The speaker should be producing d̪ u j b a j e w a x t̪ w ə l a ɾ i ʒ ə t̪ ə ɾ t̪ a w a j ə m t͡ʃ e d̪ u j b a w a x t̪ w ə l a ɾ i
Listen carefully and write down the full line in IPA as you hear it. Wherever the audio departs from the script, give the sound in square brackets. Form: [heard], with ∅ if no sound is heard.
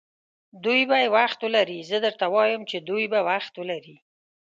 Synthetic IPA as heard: d̪ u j b a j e w a x t̪ w ə l a ɾ i [z] ə [d̪] ə ɾ t̪ a w [ɑ] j ə m t͡ʃ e d̪ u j b a w a x t̪ w ə l a ɾ i